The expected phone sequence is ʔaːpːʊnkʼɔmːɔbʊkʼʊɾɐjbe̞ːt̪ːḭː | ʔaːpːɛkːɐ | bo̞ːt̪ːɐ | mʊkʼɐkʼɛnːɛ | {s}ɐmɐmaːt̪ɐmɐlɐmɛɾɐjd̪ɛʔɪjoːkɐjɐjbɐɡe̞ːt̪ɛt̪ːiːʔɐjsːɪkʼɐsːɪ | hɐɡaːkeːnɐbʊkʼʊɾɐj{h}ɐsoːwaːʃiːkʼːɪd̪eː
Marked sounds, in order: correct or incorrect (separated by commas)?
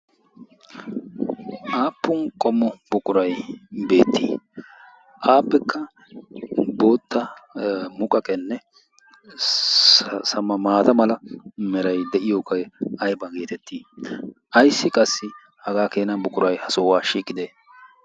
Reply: correct, correct